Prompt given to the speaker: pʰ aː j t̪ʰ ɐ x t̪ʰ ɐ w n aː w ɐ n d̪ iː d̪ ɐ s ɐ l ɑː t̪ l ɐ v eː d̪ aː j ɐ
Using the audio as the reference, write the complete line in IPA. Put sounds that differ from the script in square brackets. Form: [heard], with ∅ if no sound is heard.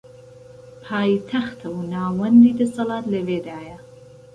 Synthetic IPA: pʰ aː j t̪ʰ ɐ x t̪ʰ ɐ w n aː w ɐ n d̪ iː d̪ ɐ s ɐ l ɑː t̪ l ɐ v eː d̪ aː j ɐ

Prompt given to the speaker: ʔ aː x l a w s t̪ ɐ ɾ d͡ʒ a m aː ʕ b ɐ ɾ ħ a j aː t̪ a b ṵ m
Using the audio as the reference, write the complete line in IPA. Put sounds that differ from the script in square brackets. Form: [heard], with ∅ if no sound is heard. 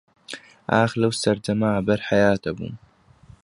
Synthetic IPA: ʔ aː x l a w s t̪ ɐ ɾ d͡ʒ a m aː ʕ b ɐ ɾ ħ a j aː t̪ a b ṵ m

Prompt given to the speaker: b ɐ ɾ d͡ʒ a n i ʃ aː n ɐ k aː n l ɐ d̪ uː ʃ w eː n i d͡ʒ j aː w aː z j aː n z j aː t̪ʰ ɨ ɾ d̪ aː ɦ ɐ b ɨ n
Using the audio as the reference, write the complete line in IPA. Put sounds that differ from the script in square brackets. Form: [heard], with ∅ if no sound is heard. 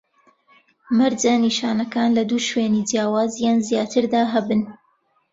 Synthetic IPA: [m] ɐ ɾ d͡ʒ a n i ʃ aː n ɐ k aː n l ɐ d̪ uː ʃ w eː n i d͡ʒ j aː w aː z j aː n z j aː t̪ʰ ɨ ɾ d̪ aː ɦ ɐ b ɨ n

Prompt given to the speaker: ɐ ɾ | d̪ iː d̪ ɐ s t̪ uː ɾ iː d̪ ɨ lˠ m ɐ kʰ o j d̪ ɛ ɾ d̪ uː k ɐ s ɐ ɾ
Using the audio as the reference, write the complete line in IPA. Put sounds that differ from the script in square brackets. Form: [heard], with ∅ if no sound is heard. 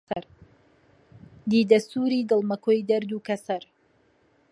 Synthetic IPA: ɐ ɾ | d̪ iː d̪ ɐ s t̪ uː ɾ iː d̪ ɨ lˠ m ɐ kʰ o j d̪ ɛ ɾ d̪ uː k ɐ s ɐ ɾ

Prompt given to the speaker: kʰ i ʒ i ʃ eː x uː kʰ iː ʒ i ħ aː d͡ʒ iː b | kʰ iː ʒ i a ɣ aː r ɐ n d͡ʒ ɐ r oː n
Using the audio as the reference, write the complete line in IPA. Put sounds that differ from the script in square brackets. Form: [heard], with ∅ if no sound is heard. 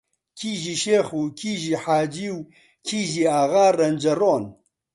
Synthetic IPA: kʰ i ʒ i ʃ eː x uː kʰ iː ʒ i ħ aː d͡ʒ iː [w] | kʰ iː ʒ i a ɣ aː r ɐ n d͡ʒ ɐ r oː n

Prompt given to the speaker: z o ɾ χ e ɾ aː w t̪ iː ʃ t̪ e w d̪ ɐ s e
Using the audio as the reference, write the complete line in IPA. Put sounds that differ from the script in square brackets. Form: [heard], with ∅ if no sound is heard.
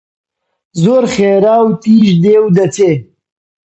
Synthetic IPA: z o ɾ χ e ɾ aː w t̪ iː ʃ [d̪] e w d̪ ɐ [t͡s] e

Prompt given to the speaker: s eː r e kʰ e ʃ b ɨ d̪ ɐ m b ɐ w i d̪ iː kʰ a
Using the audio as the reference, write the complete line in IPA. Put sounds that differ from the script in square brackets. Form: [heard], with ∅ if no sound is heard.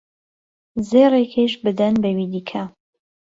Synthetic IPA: [z] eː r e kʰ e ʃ b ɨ d̪ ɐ [n] b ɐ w i d̪ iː kʰ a

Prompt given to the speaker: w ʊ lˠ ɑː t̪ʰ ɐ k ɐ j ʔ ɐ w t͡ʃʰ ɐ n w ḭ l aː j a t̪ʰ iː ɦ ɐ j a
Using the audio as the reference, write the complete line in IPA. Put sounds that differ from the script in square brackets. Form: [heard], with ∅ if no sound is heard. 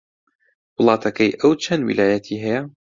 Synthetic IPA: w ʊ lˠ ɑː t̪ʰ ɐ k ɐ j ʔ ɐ w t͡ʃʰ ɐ n w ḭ l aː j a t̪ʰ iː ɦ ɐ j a

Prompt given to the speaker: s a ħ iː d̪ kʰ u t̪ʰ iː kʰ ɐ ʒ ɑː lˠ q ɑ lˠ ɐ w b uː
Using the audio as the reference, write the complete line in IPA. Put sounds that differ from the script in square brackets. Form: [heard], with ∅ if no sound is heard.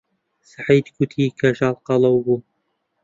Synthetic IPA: s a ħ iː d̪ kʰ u t̪ʰ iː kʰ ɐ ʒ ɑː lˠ q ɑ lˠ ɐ w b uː

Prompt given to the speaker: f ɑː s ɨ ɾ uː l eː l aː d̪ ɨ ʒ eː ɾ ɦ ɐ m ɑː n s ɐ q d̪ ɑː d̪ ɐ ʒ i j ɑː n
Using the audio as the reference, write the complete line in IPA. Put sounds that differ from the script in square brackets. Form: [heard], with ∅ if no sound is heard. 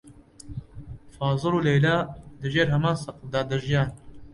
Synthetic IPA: f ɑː [z] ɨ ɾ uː l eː l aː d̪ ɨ ʒ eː ɾ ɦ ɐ m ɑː n s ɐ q d̪ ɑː d̪ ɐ ʒ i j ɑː n

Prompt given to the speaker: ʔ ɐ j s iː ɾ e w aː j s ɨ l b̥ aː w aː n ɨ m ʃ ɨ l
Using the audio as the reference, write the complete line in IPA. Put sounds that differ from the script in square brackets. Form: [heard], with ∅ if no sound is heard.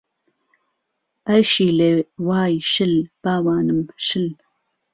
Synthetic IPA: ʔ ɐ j [ʃ] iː [l] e w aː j [ʃ] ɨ l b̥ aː w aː n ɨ m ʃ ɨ l

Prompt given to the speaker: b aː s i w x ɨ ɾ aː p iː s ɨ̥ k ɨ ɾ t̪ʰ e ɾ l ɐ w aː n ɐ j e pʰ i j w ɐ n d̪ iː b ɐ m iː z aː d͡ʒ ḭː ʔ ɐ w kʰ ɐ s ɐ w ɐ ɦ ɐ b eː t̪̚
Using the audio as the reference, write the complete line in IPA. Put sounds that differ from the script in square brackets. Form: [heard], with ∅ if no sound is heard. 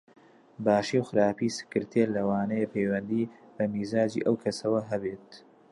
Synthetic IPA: b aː [ʃ] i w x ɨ ɾ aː p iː s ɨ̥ k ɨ ɾ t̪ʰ e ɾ l ɐ w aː n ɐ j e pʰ [e] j w ɐ n d̪ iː b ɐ m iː z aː d͡ʒ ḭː ʔ ɐ w kʰ ɐ s ɐ w ɐ ɦ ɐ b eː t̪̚

